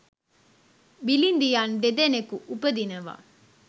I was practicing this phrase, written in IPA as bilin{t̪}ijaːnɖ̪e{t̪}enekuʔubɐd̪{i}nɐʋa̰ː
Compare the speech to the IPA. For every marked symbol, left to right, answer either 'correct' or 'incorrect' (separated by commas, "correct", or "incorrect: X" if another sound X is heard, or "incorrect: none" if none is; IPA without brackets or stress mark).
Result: incorrect: d̪, incorrect: d̪, correct